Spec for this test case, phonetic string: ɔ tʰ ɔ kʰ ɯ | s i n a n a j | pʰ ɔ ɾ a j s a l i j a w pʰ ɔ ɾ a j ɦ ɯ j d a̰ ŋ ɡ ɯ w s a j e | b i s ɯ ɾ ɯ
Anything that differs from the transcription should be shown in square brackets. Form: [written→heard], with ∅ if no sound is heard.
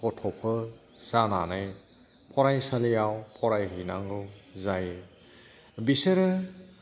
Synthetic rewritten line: ɔ tʰ ɔ [kʰ→pʰ] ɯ | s [i→a] n a n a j | pʰ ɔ ɾ a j s a l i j a w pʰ ɔ ɾ a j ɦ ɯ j [d→n] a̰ ŋ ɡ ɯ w [s→z] a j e | b i s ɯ ɾ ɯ